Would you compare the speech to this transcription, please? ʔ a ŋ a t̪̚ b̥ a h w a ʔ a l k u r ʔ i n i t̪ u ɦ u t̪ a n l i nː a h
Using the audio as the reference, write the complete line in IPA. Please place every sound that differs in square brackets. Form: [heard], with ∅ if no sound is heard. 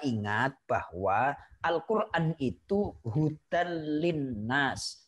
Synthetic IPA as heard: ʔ [i] ŋ a t̪̚ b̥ a h w a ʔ a l k u r ʔ [a] n i t̪ u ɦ u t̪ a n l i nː a [s]